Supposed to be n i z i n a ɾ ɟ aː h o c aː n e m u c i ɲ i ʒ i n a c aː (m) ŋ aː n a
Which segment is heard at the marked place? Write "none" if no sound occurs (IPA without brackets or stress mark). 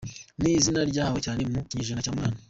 m